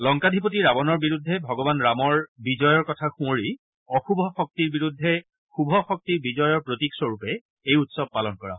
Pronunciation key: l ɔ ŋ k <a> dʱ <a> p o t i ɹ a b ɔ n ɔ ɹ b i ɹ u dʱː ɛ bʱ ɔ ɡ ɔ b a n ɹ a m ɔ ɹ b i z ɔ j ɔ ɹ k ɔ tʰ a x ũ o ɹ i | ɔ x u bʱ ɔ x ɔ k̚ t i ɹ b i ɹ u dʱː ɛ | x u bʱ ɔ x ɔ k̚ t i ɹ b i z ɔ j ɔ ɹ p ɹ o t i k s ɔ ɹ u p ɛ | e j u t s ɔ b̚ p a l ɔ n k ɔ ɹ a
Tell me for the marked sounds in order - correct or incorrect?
correct, incorrect

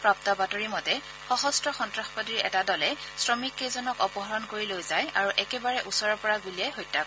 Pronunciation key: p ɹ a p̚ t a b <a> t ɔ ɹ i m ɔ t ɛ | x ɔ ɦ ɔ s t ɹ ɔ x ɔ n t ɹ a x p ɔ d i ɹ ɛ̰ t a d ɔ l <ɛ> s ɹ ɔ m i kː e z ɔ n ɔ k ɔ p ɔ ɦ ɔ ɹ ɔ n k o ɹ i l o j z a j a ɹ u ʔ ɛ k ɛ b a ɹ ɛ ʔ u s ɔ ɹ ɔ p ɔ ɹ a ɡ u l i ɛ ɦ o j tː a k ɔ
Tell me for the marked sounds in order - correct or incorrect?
correct, correct

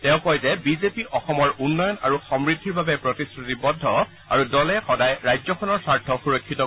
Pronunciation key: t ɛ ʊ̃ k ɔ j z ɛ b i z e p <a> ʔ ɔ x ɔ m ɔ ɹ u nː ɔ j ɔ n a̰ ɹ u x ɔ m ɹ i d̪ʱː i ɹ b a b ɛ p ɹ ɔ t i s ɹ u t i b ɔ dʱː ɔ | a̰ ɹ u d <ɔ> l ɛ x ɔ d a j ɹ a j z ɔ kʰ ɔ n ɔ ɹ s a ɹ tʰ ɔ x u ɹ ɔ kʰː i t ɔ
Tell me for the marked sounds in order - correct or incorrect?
incorrect, correct

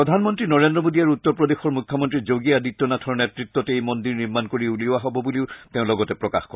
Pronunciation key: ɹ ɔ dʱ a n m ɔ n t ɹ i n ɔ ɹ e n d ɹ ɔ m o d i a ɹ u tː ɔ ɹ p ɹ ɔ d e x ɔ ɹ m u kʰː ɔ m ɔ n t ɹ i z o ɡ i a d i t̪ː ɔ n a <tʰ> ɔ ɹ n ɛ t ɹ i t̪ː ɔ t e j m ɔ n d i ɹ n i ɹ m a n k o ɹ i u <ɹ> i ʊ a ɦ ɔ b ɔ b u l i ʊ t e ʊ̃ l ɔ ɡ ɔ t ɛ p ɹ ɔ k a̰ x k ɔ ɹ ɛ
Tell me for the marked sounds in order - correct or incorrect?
correct, incorrect

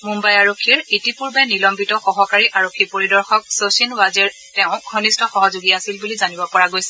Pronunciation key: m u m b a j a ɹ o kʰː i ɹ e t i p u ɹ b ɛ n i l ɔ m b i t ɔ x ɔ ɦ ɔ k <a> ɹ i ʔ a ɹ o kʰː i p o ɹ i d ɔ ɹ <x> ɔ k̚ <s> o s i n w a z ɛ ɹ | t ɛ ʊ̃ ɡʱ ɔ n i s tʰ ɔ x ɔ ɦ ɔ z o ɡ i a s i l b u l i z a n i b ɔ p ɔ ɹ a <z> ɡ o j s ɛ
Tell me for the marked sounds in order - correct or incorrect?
correct, correct, correct, incorrect

